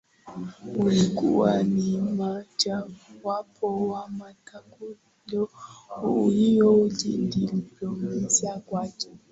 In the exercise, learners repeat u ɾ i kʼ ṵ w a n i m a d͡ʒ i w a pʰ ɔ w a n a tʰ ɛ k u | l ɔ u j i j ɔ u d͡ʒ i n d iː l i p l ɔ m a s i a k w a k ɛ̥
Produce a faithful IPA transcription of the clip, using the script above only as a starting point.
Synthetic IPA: u l i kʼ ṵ w a n i m a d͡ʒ a w a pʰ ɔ w a m a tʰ a k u | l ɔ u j i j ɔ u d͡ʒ i n d i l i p l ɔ m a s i a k w a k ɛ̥